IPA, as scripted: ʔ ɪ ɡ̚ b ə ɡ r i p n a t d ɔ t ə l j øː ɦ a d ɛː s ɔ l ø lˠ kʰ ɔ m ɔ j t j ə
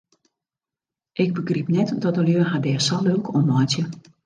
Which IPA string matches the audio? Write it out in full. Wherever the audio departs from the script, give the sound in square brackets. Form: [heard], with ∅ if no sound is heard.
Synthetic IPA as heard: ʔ ɪ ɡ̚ b ə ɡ r i p n [ɛ] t d ɔ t ə l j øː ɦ a d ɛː s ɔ l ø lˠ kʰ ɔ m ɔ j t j ə